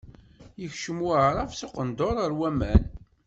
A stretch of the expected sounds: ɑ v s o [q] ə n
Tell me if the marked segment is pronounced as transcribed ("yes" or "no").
yes